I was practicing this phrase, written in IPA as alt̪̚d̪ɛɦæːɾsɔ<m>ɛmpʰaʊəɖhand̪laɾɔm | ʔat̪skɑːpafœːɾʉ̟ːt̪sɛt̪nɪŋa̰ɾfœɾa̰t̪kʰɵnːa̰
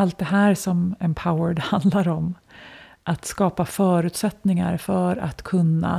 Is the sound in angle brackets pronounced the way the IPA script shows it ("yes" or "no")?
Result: yes